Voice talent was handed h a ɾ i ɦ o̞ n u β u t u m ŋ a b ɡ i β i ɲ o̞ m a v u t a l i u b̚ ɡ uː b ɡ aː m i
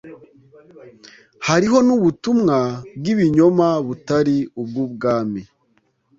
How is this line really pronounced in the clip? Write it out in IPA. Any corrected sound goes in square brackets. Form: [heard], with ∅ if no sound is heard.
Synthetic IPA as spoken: h a ɾ i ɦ o̞ n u β u t u m ŋ a b ɡ i β i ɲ o̞ m a [β] u t a [ɾ] i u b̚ ɡ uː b ɡ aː m i